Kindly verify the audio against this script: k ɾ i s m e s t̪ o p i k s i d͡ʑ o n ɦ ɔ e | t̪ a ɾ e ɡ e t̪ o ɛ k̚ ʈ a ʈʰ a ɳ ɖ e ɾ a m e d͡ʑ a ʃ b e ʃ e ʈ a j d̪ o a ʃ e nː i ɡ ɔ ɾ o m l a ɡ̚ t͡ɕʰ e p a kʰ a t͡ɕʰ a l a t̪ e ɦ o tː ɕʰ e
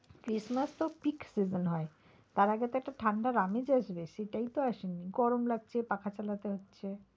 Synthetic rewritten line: k ɾ i s m a s t̪ o p i k s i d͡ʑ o n ɦ ɔ e | t̪ a ɾ a ɡ e t̪ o ɛ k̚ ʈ a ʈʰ a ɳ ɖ a ɾ a m e d͡ʑ a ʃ b e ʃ e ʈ a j t̪ o a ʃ e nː i ɡ ɔ ɾ o m l a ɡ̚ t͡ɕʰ e p a kʰ a t͡ɕ a l a t̪ e ɦ o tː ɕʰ e